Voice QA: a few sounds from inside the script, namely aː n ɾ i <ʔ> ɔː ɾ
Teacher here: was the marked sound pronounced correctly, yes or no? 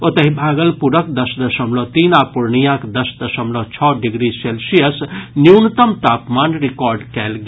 no